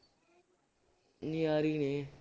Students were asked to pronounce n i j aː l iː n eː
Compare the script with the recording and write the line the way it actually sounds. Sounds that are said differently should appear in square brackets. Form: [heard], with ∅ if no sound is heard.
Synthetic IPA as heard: n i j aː [ɾ] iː n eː